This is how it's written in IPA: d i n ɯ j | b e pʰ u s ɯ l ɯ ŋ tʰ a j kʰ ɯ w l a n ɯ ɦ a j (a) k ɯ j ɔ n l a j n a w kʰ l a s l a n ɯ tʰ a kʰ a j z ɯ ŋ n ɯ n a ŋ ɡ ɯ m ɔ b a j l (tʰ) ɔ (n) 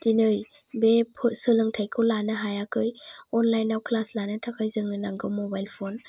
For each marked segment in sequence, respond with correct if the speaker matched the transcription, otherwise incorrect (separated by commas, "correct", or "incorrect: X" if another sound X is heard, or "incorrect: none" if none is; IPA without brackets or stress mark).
correct, incorrect: pʰ, correct